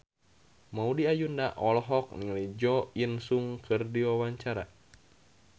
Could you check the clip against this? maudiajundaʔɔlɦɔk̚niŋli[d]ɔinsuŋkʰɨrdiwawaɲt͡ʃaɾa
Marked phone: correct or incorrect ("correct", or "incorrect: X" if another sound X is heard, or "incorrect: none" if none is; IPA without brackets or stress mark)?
incorrect: d͡ʒ